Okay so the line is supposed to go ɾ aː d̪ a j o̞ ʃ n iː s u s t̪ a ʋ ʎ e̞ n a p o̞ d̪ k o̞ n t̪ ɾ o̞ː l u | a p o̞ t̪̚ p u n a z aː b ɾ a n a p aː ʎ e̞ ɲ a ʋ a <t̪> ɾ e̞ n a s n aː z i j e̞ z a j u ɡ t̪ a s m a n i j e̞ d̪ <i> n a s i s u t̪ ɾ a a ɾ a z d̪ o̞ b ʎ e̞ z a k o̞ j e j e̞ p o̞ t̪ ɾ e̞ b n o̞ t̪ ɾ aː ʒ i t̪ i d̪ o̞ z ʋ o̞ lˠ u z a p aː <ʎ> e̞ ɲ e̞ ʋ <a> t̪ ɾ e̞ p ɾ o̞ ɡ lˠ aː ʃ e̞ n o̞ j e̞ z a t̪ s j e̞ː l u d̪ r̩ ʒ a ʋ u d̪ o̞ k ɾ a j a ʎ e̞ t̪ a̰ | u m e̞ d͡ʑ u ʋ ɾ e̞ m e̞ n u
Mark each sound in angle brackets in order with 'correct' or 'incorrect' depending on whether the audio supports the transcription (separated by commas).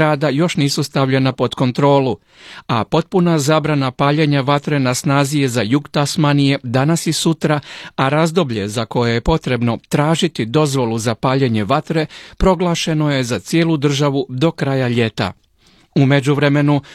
correct, incorrect, correct, correct